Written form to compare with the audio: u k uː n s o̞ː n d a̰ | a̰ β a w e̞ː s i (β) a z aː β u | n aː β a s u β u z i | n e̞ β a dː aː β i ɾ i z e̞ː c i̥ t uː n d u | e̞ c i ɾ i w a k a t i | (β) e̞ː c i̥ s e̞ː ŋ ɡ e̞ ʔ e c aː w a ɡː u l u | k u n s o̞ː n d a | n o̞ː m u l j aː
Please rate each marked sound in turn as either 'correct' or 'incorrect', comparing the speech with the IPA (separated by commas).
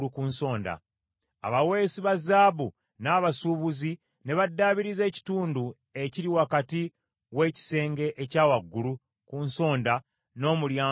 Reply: correct, incorrect